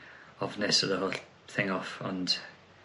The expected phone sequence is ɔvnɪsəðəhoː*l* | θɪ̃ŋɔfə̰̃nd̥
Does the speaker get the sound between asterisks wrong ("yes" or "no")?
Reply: no